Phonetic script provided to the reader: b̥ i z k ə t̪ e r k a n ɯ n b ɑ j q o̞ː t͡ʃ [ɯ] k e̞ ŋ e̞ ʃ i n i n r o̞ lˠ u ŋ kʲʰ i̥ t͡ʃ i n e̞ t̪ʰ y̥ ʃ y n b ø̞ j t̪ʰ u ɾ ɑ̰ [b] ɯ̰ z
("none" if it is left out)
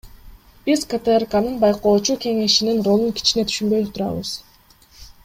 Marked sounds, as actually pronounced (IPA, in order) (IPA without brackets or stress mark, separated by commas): u, β